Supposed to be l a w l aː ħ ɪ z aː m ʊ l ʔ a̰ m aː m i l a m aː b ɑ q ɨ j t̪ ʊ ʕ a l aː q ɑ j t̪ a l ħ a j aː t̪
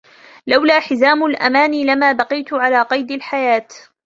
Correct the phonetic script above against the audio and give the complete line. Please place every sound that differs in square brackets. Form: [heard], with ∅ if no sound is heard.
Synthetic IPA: l a w l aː ħ ɪ z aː m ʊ l ʔ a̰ m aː [n] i l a m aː b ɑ q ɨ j t̪ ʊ ʕ a l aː q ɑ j [d̪] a l ħ a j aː t̪